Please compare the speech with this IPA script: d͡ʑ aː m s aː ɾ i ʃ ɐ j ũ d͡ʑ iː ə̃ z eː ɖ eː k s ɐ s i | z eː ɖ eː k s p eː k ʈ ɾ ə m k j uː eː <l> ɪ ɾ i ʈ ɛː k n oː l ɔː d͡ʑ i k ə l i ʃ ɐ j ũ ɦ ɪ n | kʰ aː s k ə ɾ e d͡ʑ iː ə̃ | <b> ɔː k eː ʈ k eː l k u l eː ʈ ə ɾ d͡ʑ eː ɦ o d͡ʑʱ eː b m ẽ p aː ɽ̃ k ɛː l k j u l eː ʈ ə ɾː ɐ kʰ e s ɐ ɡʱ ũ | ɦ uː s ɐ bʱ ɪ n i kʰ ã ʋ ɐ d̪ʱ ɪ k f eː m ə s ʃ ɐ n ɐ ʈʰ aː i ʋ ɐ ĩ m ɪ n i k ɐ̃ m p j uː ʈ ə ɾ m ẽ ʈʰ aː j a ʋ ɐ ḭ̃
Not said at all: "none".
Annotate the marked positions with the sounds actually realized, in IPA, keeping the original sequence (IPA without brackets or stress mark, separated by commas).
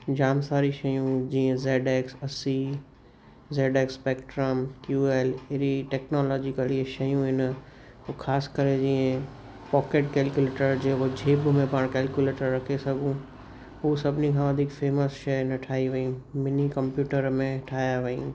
l, p